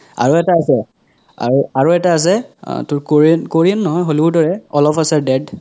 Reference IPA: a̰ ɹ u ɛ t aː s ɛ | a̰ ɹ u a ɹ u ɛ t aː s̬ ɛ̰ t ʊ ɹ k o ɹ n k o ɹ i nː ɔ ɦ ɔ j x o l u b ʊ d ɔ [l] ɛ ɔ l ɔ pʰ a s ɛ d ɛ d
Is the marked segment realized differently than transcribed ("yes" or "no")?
yes